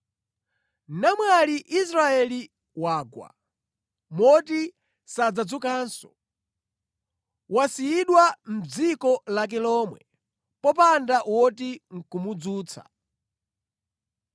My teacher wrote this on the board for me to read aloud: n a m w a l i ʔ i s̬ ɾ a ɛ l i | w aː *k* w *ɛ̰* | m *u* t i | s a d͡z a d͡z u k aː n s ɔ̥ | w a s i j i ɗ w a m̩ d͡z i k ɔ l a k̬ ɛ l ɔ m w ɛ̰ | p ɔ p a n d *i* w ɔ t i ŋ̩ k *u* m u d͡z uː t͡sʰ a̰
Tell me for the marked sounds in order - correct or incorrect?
incorrect: ɡ, incorrect: a̰, incorrect: ɔ, incorrect: a, correct

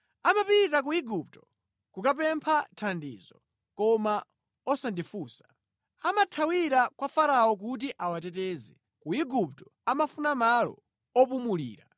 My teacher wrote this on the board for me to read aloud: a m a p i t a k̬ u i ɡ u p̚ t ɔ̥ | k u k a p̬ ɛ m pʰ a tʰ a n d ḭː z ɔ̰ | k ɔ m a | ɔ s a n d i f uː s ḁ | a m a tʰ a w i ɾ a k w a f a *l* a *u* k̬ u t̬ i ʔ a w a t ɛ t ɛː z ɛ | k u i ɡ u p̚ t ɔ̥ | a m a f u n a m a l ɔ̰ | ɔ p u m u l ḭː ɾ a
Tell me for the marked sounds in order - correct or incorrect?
incorrect: ɾ, incorrect: ɔ

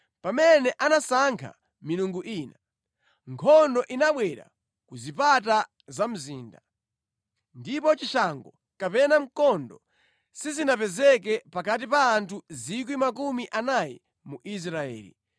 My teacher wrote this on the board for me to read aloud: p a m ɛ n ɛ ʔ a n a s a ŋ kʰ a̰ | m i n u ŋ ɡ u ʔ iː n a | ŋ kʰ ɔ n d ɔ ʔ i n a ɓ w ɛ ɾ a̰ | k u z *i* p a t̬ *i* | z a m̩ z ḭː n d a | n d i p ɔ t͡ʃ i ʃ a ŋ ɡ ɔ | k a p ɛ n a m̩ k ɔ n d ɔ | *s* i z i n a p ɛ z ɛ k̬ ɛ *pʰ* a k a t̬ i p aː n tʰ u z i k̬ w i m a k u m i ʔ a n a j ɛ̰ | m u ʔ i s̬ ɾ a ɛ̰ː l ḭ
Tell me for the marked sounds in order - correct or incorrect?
correct, incorrect: a, correct, incorrect: p

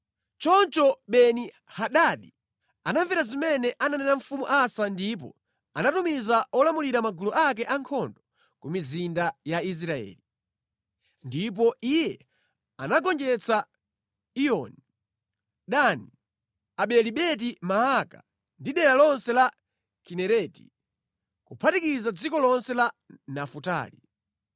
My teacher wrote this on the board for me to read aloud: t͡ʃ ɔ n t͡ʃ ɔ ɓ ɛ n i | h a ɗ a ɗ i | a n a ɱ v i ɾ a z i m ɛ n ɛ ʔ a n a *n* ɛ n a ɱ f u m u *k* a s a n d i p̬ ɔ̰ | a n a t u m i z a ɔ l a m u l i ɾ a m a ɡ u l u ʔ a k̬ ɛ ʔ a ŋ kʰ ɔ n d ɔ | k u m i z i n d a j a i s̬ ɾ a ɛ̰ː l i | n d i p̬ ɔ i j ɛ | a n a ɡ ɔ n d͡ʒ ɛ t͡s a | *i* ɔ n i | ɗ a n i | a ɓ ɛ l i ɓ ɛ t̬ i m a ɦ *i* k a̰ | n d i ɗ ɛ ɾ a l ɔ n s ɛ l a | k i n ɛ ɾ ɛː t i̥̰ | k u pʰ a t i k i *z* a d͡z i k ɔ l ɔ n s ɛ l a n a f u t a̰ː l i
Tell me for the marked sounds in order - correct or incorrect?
correct, incorrect: ʔ, correct, incorrect: a, correct

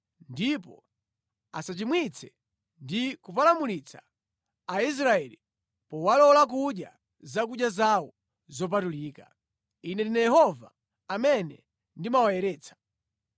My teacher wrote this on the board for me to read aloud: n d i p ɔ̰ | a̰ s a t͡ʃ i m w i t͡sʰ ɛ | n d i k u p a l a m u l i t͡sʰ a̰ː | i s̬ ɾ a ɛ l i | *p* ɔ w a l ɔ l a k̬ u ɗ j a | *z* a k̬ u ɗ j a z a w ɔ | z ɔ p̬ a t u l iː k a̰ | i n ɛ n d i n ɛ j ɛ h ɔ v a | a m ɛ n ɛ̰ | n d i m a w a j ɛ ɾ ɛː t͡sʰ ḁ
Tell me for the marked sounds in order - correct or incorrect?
correct, correct

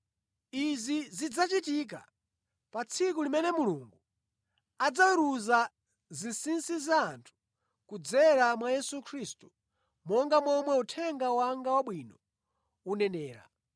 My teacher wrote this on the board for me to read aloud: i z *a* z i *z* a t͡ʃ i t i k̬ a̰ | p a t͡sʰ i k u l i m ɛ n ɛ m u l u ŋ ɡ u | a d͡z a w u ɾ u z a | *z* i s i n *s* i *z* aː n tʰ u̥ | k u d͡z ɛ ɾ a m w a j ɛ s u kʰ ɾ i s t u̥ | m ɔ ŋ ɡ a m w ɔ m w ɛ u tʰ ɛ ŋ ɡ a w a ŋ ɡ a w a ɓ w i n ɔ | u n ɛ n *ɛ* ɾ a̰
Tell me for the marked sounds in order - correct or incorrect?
incorrect: i, incorrect: d͡z, correct, correct, correct, incorrect: ɛː

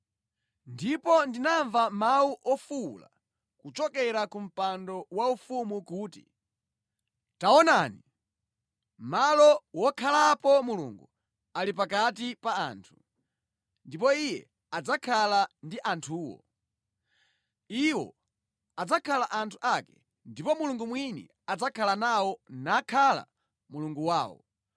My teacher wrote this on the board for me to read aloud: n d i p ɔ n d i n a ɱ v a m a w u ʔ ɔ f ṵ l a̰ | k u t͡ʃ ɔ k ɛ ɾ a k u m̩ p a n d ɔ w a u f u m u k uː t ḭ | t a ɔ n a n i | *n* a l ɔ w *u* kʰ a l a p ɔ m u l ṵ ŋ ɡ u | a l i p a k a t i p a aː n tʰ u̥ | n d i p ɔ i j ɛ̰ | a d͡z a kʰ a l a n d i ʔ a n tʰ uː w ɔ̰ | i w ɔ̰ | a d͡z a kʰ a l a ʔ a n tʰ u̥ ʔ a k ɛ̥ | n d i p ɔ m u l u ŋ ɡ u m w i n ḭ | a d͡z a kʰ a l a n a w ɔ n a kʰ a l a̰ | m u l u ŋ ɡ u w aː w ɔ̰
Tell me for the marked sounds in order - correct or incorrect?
incorrect: m, incorrect: ɔ

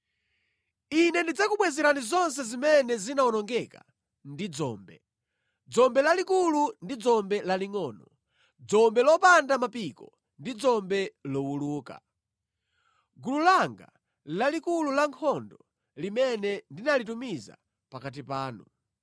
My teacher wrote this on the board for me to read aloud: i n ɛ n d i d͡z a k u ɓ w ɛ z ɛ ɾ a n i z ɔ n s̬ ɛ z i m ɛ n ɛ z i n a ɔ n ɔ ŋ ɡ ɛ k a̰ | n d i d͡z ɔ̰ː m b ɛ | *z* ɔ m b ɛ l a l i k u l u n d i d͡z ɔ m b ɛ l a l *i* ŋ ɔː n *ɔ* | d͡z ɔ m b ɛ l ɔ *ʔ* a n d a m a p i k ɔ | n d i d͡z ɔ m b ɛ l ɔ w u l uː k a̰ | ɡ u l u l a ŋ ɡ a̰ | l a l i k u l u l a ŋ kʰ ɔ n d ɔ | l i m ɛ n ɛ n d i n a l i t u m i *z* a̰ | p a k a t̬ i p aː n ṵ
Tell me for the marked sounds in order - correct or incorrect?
incorrect: d͡z, correct, correct, incorrect: p, correct

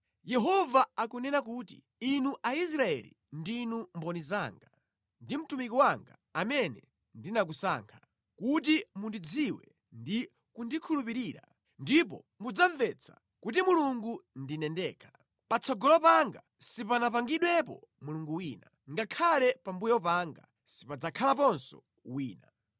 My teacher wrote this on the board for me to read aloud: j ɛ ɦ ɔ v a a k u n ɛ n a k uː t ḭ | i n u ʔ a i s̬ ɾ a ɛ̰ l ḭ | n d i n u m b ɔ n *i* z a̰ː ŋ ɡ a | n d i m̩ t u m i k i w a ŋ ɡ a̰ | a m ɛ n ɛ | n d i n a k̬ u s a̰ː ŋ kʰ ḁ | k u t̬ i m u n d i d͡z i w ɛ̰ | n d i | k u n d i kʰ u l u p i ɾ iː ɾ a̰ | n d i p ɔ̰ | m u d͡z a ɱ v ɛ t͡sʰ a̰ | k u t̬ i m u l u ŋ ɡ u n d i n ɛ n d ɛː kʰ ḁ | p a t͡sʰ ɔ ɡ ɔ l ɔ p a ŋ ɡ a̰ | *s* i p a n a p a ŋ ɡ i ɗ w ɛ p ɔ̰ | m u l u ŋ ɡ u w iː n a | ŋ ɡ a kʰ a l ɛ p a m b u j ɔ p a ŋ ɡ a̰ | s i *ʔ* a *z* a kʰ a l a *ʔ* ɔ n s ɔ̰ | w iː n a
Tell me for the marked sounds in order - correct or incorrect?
correct, correct, incorrect: p, incorrect: d͡z, incorrect: p

